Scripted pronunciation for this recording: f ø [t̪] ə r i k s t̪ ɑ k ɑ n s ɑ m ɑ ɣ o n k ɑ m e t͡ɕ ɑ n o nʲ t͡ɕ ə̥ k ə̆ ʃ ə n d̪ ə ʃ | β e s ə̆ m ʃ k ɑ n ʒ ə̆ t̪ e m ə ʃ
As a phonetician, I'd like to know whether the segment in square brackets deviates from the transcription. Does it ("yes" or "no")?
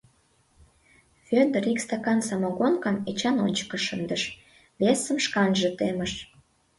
yes